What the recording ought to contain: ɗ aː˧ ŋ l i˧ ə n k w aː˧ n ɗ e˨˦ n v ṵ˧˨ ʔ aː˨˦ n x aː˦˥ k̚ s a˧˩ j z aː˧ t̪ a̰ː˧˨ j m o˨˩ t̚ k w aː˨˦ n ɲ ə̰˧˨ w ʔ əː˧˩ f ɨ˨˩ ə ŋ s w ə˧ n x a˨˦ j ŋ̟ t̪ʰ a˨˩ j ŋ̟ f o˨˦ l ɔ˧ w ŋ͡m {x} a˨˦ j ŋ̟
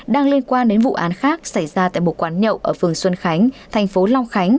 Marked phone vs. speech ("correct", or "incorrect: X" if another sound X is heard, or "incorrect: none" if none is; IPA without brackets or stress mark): correct